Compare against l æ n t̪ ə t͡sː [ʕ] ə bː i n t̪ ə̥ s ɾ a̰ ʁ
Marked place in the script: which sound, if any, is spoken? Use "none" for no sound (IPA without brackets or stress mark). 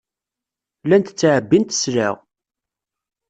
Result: ʕ